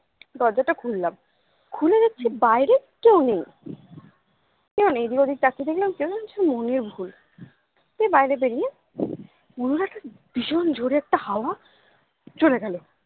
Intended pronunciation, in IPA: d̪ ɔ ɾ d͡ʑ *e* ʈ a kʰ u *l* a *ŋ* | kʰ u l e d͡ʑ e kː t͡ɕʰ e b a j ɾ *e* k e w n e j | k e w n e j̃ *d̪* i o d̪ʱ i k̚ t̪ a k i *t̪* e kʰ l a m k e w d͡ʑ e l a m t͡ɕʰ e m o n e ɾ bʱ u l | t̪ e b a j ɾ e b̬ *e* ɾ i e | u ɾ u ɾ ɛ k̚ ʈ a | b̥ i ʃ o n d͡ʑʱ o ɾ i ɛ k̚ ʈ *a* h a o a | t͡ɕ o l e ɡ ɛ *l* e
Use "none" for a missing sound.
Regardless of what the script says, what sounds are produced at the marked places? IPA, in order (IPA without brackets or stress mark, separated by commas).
a, lː, m, e, d̪, d̪, e, a, l